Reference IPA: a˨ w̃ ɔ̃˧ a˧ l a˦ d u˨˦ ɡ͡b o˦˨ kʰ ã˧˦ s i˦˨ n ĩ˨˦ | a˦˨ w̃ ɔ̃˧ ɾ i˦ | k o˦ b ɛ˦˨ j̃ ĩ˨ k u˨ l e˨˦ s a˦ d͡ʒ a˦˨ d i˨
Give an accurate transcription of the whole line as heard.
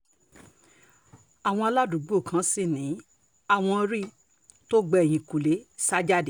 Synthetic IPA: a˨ w̃ ɔ̃˧ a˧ l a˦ d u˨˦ ɡ͡b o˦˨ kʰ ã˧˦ s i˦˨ n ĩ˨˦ | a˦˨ w̃ ɔ̃˧ ɾ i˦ | t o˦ ɡ͡b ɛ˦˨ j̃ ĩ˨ k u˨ l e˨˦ s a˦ d͡ʒ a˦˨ d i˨